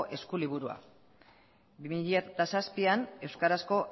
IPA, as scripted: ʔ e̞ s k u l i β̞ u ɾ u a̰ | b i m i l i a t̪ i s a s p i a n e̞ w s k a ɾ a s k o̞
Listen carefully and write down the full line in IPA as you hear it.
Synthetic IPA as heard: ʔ e̞ s k u l i β̞ u ɾ u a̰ | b i m i ʎ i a t̪ a s a s p i a n e̞ w s k a ɾ a s k o̞

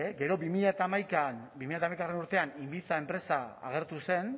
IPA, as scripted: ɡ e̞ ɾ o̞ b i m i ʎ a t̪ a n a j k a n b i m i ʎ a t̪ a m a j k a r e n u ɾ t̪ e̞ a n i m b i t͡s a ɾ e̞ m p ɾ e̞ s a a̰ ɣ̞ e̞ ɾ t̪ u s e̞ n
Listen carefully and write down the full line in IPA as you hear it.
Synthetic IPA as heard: ɡ e̞ ɾ o̞ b i m i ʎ a t̪ a m a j k a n b i m i ʎ a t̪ a m a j k a r e n u ɾ t̪ e̞ a n i m b i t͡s a e̞ m p ɾ e̞ s a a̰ ɣ̞ e̞ ɾ t̪ u s e̞ n

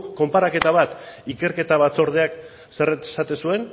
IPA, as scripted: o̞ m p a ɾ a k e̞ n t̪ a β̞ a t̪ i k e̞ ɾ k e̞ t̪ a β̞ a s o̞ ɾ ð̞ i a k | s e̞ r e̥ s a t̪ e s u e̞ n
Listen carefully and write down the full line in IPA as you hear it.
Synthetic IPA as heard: o̞ m p a ɾ a k e̞ t̪ a β̞ a t̪ i k e̞ ɾ k e̞ t̪ a β̞ a t͡s o̞ ɾ ð̞ e a k | s e̞ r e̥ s a t̪ e s u e̞ n

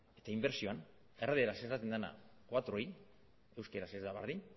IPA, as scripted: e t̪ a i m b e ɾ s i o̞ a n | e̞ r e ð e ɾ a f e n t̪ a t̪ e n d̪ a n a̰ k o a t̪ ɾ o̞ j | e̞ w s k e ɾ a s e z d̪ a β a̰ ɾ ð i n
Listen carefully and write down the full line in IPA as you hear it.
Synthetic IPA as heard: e t̪ a i m b e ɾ s i o̞ a n | e̞ r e ð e ɾ a s e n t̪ a t̪ e n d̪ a n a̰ k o a t̪ ɾ o̞ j | e̞ w s k e ɾ a s e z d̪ a β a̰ ɾ ð i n

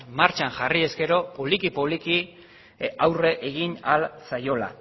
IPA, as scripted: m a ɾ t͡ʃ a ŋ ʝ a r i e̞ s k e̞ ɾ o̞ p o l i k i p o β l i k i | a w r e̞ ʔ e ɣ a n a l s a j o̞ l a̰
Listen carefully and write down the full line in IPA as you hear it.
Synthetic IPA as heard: m a ɾ t͡ʃ a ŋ ʝ a r i e̞ s k e̞ ɾ o̞ p o l i k i p o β l i k i | a w r e̞ ʔ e ɣ i n a l s a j o̞ l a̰

